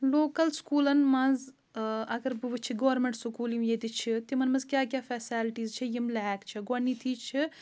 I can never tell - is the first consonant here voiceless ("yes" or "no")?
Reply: no